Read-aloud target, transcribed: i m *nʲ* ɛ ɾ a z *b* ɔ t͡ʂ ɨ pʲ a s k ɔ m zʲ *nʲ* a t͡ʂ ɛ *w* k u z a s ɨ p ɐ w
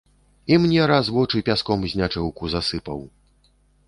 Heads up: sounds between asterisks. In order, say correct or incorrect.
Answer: correct, incorrect, correct, correct

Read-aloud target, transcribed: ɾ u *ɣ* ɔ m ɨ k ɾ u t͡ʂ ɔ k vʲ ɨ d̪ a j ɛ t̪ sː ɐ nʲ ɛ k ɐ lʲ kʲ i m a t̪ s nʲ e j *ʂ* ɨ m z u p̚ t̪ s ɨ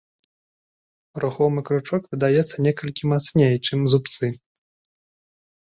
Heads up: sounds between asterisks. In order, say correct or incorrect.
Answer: incorrect, incorrect

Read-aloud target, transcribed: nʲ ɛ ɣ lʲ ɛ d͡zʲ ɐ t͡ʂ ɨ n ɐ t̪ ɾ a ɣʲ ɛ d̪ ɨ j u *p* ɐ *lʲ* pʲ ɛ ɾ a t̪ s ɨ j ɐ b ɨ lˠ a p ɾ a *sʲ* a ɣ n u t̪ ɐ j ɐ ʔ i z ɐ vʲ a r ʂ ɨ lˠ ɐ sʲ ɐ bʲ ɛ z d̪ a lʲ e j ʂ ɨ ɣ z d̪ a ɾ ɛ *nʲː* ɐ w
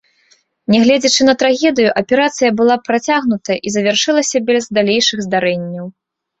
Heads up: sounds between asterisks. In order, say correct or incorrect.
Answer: incorrect, incorrect, incorrect, correct

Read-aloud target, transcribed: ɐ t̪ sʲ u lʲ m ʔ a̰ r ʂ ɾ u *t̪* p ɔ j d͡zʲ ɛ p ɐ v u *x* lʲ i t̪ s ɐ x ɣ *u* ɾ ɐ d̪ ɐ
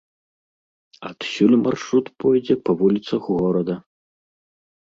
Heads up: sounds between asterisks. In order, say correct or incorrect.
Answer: correct, incorrect, incorrect

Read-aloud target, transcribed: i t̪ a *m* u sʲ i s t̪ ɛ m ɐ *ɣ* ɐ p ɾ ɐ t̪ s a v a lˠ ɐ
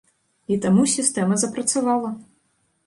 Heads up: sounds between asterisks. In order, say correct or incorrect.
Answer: correct, incorrect

